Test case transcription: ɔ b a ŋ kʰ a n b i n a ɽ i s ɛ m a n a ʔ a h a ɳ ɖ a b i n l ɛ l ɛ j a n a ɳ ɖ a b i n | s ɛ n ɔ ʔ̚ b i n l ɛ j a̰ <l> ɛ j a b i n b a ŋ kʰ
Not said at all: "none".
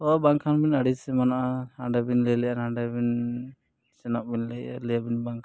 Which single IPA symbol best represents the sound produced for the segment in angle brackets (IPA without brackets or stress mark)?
l